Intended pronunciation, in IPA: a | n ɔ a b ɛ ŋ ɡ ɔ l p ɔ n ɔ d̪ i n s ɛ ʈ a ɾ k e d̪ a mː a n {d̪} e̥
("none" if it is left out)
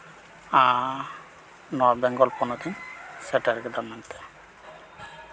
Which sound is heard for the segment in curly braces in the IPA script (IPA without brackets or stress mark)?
t̪